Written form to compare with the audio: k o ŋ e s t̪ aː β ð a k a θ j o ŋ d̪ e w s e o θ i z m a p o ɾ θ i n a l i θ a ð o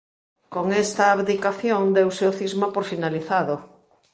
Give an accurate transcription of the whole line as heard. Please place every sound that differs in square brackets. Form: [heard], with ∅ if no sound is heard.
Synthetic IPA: k o ŋ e s t̪ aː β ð [i] k a θ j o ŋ d̪ e w s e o θ i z m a p o ɾ [f] i n a l i θ a ð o